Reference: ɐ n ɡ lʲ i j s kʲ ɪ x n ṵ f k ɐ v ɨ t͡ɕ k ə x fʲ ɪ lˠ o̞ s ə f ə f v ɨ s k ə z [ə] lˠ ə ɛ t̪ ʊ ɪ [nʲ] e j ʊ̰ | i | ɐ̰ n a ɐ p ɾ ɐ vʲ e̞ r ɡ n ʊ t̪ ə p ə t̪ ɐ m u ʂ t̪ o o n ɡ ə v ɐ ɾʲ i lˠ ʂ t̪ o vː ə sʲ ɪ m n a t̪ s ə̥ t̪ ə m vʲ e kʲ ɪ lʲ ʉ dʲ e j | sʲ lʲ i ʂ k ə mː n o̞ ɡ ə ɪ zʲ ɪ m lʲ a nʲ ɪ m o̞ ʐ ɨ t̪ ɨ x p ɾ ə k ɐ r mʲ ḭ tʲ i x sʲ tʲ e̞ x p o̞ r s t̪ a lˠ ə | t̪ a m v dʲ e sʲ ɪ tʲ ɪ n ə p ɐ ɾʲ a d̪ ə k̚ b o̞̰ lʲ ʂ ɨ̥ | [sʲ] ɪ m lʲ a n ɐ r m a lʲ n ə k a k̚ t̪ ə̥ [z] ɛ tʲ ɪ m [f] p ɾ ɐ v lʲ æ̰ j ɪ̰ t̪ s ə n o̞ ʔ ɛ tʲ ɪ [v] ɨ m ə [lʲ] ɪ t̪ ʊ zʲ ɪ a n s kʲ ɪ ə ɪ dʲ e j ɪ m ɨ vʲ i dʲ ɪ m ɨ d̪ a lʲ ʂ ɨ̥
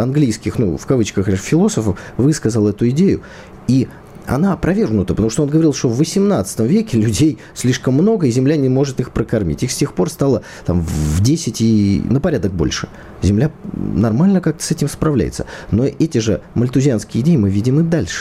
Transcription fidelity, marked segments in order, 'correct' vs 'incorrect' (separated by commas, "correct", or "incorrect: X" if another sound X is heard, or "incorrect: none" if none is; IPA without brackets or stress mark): correct, incorrect: dʲ, incorrect: zʲ, incorrect: s, incorrect: s, incorrect: ʐ, correct